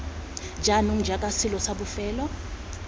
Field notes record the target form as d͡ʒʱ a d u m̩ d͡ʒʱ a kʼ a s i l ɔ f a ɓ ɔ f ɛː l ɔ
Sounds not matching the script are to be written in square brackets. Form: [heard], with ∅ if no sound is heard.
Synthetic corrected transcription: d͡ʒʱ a [n] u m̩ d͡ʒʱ a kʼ a s i l ɔ [s] a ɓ [u] f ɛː l ɔ